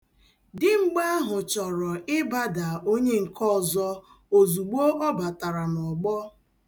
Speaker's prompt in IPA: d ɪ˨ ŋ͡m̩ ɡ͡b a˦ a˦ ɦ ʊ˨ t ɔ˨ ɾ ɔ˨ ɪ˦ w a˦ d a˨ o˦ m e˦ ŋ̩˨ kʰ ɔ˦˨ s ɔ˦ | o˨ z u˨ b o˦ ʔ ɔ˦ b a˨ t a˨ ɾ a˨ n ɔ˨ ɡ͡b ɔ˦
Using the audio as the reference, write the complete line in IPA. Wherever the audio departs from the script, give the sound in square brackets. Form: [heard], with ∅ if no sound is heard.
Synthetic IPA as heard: d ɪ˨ ŋ͡m̩ ɡ͡b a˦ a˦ ɦ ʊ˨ [t͡ʃ] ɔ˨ ɾ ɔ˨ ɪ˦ [b] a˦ d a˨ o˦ [ɲ] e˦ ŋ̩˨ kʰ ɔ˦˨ [z] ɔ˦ | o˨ z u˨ [ɡ͡b] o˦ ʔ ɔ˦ b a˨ t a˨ ɾ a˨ n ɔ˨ ɡ͡b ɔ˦